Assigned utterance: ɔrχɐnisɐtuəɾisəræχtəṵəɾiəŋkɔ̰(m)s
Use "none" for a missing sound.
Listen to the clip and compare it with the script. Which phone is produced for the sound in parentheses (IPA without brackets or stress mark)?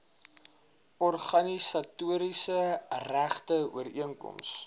m